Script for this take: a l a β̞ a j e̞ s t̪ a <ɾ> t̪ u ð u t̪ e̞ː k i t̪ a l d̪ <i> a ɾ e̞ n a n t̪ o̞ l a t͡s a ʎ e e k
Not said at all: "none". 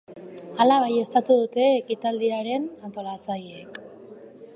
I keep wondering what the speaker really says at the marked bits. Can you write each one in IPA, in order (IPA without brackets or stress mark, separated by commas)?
none, i